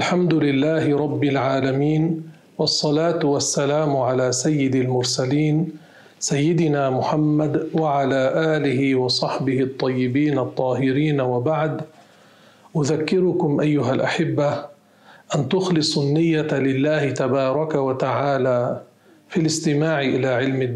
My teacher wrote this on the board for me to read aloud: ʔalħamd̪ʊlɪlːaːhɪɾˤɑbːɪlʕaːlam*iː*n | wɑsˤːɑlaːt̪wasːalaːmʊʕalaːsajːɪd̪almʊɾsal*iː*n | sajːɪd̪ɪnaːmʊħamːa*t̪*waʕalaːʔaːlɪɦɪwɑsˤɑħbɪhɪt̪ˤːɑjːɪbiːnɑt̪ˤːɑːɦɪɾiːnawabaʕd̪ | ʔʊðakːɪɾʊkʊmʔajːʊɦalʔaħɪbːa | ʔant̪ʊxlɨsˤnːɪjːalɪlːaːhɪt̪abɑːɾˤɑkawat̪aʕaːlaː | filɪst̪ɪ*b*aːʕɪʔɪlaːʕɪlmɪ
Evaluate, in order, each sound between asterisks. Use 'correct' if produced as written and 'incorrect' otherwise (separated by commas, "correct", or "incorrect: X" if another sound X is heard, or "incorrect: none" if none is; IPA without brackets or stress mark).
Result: correct, correct, incorrect: d̪, incorrect: m